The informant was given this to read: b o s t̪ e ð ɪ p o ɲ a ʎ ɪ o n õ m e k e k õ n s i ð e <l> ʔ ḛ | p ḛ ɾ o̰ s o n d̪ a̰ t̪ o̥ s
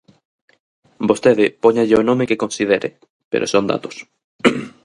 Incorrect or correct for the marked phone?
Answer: incorrect: ɾ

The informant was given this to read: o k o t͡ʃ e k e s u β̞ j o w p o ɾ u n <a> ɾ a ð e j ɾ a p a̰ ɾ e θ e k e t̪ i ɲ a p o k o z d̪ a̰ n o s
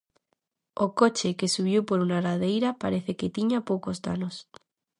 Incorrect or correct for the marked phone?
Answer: correct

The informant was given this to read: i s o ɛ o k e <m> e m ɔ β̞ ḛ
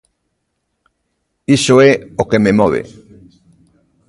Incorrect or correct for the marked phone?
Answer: correct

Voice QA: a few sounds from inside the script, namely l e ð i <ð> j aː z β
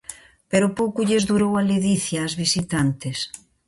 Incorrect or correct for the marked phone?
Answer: incorrect: θ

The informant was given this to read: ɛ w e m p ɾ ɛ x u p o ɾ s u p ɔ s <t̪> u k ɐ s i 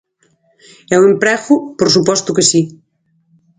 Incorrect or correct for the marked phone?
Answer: correct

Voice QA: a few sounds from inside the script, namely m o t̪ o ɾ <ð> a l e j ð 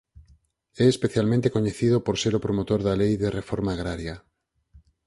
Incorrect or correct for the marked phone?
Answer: correct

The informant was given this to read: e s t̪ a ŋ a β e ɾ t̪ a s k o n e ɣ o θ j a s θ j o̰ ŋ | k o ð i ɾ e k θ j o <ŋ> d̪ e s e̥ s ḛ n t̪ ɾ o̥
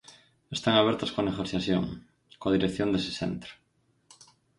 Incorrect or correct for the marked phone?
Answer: incorrect: n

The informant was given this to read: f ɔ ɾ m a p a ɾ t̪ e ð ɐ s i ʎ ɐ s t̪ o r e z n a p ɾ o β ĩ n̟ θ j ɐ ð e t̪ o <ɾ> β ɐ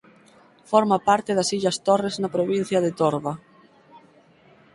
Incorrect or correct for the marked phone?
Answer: correct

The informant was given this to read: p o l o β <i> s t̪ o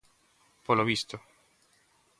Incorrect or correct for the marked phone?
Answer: correct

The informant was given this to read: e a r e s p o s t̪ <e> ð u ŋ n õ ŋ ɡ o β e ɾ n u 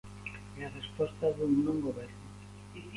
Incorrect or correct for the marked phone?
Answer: incorrect: a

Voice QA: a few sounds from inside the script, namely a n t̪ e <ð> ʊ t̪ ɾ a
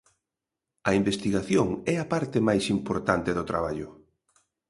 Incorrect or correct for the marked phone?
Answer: correct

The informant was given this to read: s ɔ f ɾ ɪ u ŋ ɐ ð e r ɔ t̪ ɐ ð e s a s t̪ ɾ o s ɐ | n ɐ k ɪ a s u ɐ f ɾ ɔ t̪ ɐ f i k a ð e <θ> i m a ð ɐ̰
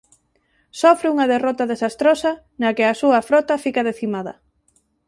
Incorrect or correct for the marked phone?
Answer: correct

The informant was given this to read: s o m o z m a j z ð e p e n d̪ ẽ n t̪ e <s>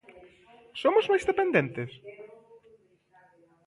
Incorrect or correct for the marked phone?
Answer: correct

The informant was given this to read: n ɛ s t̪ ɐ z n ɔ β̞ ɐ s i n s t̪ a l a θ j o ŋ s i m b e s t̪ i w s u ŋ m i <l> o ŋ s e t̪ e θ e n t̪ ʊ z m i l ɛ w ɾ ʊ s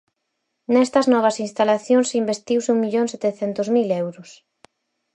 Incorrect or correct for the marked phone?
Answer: incorrect: ʎ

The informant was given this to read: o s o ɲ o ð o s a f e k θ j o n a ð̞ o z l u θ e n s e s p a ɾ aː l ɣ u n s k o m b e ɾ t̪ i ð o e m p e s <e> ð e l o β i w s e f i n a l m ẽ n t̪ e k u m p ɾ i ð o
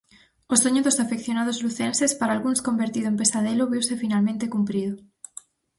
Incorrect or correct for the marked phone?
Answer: incorrect: a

